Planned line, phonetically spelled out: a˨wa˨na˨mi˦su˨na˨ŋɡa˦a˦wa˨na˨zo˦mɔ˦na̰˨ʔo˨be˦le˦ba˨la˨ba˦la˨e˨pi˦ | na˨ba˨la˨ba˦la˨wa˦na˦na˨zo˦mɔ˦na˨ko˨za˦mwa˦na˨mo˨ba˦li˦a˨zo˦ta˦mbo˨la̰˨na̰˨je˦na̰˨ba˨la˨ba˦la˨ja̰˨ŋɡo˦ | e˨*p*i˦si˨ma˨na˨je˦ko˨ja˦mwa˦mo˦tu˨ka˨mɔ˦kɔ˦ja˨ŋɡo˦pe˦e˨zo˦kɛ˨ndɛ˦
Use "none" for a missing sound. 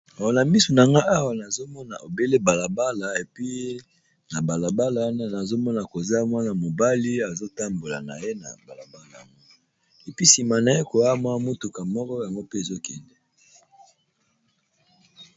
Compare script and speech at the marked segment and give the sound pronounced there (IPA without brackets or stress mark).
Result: p